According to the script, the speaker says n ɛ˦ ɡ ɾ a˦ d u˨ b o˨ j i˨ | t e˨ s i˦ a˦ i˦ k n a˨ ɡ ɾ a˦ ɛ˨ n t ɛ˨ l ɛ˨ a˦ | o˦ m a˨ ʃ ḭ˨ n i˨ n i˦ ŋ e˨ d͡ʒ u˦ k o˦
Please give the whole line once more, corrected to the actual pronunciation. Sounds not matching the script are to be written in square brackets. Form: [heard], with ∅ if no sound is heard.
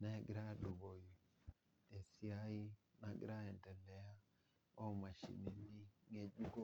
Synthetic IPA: n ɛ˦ ɡ ɾ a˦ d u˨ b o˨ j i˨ | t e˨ s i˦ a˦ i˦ [∅] n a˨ ɡ ɾ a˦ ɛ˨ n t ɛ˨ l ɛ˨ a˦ | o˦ m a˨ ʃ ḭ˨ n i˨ n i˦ ŋ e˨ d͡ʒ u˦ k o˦

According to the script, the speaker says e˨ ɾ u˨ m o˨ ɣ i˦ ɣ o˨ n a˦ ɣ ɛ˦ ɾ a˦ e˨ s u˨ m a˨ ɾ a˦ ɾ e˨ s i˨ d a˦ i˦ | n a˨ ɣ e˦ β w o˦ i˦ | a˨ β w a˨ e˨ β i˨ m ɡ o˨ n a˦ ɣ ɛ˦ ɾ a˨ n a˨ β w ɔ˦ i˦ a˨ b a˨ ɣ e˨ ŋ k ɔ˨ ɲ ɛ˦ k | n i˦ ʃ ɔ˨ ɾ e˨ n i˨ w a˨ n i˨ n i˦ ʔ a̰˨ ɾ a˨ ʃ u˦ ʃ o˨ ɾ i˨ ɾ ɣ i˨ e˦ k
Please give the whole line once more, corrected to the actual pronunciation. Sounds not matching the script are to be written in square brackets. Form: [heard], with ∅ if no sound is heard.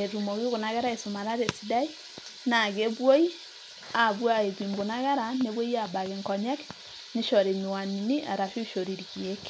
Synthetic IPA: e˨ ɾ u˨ m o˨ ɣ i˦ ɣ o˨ n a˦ ɣ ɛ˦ ɾ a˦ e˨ s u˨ m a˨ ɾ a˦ ɾ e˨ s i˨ d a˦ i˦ | n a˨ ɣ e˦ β w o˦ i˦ | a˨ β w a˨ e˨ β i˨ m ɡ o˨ n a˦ ɣ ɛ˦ ɾ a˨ n [e˨] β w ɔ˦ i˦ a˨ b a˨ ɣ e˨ ŋ k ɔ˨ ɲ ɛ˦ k | n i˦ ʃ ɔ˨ ɾ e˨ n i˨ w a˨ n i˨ n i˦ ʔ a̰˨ ɾ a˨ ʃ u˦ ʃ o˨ ɾ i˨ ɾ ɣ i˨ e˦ k

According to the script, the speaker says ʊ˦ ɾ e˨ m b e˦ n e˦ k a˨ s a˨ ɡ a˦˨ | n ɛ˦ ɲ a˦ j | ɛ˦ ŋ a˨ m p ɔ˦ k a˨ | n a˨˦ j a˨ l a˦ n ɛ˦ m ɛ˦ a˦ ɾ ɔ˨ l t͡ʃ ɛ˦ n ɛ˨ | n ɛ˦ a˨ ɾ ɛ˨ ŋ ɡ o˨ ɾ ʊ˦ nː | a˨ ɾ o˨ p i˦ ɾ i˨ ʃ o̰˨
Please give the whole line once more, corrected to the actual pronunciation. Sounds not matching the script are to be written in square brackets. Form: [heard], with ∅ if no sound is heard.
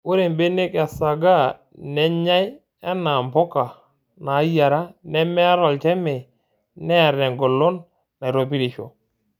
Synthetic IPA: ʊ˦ ɾ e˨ m b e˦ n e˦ k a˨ s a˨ ɡ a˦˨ | n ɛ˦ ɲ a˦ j | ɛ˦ [n] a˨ m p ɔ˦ k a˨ | n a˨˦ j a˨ [ɾ] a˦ n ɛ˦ m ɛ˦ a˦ ɾ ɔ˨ l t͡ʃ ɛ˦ [m] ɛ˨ | n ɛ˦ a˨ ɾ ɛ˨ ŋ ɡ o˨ [l] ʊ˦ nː | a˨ ɾ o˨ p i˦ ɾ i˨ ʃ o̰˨

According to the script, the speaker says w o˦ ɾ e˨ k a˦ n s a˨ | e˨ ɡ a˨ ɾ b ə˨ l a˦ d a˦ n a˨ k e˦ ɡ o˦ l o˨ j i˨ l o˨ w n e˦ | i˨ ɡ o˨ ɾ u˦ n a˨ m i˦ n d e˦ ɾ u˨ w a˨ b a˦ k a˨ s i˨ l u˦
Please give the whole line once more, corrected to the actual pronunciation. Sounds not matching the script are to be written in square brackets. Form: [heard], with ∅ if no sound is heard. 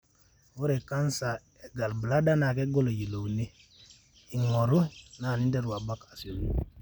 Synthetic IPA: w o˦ ɾ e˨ k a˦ n s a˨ | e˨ ɡ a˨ [l] b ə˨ l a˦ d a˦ n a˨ k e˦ ɡ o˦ l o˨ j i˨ l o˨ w n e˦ | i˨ [ŋ] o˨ ɾ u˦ n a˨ [n] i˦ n d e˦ ɾ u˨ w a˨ b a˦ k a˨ s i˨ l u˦

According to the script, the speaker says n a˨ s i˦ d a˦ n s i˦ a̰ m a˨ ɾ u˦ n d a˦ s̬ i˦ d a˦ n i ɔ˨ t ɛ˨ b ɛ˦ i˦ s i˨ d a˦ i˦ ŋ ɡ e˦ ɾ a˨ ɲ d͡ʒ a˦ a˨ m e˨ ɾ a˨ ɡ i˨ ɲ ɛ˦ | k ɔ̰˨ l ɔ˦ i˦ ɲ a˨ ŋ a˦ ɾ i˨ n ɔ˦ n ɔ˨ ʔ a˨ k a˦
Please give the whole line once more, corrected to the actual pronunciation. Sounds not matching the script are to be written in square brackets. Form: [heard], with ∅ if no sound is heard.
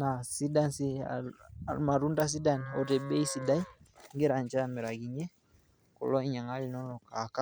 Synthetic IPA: n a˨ s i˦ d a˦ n s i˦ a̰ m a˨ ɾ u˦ n d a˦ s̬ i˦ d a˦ n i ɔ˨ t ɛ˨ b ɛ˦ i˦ s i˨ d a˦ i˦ ŋ ɡ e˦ ɾ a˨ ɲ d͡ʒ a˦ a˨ m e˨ ɾ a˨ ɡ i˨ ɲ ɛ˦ | k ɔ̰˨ l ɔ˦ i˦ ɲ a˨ ŋ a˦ [l] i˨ n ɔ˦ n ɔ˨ [k] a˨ k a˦

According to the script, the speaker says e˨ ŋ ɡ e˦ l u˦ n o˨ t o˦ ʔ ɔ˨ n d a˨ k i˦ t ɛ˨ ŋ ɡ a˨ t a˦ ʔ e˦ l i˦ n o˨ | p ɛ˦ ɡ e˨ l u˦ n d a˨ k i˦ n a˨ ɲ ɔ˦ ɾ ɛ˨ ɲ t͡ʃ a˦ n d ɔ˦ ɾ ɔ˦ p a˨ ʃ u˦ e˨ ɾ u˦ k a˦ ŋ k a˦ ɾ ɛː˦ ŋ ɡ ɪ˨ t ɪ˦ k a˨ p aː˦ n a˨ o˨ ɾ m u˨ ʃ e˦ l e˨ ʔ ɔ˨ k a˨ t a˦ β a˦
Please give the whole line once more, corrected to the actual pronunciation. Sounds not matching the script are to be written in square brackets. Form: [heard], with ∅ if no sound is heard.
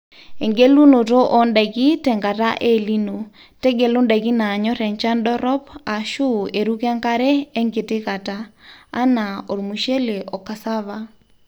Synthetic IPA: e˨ ŋ ɡ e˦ l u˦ n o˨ t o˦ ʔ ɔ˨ n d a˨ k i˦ t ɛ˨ ŋ ɡ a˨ t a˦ ʔ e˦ l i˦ n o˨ | [t] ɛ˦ ɡ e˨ l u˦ n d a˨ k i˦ n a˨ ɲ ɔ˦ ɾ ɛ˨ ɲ t͡ʃ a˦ n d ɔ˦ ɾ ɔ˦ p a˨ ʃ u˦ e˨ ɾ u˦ k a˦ ŋ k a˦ ɾ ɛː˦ ŋ ɡ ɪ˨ t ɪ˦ k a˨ [t] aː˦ n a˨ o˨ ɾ m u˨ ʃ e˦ l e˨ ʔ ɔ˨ k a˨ [s] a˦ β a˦

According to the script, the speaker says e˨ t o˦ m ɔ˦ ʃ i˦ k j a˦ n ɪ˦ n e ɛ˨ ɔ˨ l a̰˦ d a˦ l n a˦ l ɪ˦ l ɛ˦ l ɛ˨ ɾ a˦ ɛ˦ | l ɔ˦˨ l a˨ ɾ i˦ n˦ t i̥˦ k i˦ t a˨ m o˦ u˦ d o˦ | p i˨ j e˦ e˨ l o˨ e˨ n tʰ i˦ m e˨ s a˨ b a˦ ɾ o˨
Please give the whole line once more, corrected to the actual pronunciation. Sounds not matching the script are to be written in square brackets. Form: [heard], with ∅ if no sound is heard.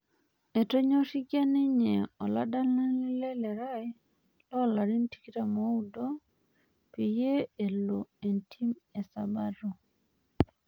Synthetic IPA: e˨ t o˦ [ɲ] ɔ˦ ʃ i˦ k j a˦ n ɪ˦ [ɲ] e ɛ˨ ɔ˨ l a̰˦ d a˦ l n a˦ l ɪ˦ l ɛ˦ l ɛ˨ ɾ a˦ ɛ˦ | l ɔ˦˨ l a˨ ɾ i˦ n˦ t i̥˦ k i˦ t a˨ m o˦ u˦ d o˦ | p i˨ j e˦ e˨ l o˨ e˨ n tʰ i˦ m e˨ s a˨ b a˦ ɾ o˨

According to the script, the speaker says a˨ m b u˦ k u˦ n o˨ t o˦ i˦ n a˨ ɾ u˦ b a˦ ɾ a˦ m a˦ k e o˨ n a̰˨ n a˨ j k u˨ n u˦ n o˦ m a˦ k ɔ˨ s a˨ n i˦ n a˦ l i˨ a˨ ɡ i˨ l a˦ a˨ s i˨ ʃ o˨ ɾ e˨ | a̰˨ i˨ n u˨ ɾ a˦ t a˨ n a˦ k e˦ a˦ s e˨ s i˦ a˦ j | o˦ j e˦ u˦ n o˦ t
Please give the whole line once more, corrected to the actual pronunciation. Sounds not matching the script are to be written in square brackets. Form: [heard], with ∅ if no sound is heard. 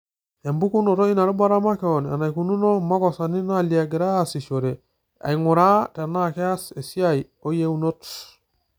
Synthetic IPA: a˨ m b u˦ k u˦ n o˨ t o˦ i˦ n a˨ ɾ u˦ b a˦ ɾ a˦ m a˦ k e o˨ n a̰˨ n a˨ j k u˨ n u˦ n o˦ m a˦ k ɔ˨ s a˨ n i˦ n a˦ l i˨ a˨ ɡ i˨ [ɾ] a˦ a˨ s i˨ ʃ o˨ ɾ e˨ | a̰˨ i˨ [ŋ] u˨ ɾ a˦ t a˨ n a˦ k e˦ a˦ s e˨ s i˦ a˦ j | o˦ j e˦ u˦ n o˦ t

